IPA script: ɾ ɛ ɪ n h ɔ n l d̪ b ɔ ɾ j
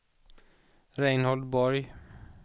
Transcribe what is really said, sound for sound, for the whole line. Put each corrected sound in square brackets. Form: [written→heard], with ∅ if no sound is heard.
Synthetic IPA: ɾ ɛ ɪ n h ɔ [n→∅] l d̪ b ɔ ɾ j